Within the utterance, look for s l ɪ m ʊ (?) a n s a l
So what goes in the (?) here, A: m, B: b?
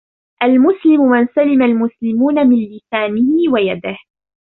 A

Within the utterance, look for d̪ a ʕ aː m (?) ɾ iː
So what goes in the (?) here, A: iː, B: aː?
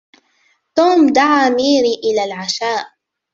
A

